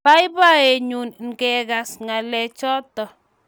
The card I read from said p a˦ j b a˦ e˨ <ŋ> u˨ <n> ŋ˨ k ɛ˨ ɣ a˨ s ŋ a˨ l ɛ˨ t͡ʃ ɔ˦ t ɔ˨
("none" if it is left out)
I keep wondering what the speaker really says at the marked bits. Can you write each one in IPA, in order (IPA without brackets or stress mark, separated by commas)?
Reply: ɲ, n